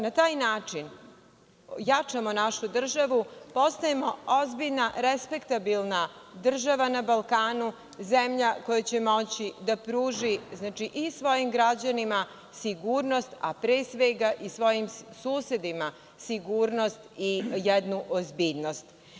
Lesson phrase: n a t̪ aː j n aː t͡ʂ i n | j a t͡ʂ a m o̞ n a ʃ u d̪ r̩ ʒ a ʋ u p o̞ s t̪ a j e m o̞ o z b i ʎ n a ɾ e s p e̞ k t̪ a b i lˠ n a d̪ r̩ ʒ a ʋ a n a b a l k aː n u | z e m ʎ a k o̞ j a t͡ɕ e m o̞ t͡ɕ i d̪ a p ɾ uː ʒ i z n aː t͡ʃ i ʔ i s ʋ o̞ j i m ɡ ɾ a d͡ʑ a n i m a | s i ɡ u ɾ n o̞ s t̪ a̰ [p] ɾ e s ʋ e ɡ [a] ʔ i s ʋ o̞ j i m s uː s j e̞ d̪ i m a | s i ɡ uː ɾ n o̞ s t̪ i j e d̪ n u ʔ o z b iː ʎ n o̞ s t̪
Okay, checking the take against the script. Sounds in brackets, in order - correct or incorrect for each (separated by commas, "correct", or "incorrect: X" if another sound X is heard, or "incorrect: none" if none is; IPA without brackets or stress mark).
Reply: correct, correct